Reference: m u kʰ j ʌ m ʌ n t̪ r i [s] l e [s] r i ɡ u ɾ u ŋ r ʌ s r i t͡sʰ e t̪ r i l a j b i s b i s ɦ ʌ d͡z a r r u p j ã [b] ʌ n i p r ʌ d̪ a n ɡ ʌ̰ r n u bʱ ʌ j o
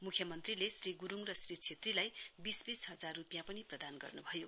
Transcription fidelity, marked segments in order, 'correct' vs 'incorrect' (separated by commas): incorrect, correct, incorrect